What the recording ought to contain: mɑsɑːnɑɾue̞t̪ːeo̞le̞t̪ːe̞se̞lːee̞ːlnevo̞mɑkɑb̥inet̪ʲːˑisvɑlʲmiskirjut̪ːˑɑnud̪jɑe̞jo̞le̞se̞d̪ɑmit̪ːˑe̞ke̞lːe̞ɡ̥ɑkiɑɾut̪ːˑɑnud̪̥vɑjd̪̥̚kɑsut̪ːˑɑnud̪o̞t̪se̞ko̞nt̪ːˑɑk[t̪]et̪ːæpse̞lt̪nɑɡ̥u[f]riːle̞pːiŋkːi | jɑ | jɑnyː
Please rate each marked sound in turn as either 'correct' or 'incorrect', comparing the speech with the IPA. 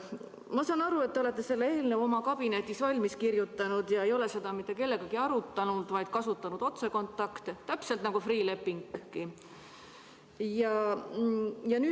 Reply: correct, correct

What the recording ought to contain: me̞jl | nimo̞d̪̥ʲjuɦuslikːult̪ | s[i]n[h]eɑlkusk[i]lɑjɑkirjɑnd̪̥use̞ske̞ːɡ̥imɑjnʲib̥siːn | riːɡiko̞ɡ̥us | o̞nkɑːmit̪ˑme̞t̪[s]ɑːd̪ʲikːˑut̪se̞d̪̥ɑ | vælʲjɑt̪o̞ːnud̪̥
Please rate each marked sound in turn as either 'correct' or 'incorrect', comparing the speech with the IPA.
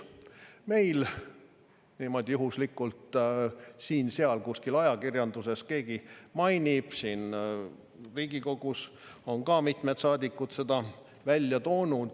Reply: incorrect: iː, incorrect: s, correct, correct

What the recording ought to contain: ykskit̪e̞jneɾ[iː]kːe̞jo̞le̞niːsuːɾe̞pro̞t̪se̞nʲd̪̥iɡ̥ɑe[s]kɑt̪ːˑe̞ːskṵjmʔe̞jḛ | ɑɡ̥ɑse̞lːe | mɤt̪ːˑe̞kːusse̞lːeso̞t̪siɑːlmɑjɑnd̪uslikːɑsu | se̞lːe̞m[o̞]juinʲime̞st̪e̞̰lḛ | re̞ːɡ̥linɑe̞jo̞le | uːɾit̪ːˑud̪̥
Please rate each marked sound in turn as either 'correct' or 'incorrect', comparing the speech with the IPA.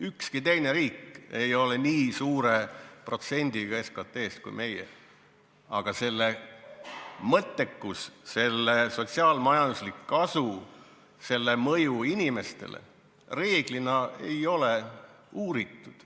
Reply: correct, correct, incorrect: ɤ̞

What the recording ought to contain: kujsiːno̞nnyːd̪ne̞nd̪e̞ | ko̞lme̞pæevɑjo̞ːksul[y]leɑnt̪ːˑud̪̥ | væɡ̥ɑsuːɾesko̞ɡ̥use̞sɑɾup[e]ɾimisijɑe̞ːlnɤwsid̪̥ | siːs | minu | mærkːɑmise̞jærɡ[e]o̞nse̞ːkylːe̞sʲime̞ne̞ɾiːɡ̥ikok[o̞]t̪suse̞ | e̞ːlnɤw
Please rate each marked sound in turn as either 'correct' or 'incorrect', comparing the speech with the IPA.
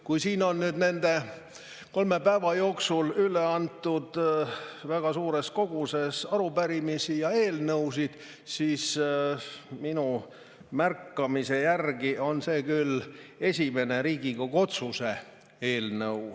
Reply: correct, incorrect: æ, incorrect: i, correct

